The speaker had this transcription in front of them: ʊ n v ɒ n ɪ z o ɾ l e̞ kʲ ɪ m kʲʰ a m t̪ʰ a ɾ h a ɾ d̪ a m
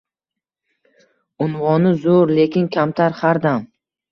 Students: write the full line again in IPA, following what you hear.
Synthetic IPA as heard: ʊ n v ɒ n ɪ z o ɾ l e̞ kʲ ɪ n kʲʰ a m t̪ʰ a ɾ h a ɾ d̪ a m